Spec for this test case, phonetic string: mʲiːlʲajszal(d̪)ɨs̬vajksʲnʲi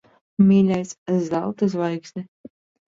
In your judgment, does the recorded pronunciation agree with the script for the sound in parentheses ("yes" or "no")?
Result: no